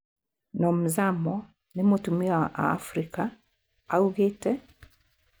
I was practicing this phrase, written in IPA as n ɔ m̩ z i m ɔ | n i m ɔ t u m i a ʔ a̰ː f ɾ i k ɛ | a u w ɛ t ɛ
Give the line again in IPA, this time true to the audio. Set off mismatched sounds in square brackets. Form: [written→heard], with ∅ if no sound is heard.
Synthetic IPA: n ɔ m̩ z [i→a] m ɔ | n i m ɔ t u m i a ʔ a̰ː f ɾ i k [ɛ→a] | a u [w→ɣ] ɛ t ɛ